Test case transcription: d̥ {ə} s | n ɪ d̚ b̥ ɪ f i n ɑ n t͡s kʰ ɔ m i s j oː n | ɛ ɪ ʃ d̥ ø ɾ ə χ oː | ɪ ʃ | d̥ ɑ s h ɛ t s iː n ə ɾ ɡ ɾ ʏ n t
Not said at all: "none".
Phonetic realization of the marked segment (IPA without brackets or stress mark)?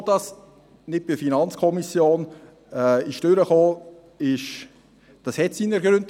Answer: ɑ